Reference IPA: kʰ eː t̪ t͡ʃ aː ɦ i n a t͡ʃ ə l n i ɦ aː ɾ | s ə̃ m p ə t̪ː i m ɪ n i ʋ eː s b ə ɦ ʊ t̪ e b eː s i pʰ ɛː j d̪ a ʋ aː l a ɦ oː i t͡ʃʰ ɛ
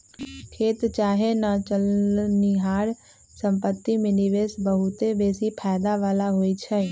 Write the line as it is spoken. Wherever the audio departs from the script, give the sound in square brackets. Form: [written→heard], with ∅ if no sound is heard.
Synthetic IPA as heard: kʰ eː t̪ t͡ʃ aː ɦ [i→e] n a t͡ʃ ə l n i ɦ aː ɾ | s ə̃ m p ə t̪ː i m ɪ n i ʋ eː s b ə ɦ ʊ t̪ e b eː s i pʰ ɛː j d̪ a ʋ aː l a ɦ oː i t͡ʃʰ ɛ